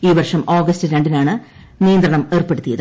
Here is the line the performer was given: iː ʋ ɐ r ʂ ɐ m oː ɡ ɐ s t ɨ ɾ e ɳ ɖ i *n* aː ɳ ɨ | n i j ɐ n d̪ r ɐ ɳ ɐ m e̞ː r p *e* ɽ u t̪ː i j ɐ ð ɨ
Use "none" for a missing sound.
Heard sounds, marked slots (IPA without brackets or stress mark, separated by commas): n, e